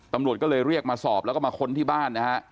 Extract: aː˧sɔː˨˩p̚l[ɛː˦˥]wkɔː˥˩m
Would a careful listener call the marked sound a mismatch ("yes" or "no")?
yes